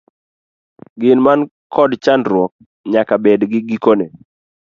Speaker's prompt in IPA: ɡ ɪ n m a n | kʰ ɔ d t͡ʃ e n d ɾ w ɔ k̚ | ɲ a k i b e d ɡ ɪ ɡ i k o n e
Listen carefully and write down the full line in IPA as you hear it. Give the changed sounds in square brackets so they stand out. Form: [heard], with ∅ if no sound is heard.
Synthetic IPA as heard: ɡ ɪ n m a n | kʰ ɔ d t͡ʃ [a] n d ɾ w ɔ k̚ | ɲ a k [a] b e d ɡ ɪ ɡ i k o n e